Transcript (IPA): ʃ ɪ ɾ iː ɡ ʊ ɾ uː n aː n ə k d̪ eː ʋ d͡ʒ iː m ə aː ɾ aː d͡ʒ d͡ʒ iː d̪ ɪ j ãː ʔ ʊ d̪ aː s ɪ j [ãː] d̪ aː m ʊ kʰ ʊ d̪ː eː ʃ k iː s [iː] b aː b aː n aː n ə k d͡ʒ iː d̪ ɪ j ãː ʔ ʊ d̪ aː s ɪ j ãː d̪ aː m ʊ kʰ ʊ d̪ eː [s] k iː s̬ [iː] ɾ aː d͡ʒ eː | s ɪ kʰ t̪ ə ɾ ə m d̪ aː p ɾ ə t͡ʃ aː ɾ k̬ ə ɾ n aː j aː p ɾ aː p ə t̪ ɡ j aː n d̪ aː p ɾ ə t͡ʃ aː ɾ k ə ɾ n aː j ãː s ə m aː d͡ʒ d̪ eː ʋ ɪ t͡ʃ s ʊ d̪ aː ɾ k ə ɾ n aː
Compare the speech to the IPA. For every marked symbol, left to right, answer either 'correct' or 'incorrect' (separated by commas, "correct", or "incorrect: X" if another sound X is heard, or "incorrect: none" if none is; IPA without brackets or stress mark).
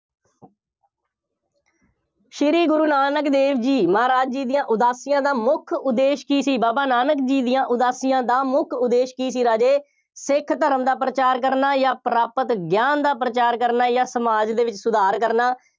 correct, correct, incorrect: ʃ, correct